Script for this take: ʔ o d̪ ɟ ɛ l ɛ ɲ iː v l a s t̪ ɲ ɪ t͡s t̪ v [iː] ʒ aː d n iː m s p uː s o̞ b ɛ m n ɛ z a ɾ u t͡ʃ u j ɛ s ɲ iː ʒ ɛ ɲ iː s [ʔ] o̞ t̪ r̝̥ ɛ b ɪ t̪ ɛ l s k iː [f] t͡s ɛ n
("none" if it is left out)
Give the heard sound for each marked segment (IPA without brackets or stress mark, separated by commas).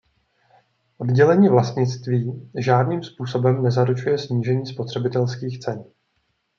iː, p, x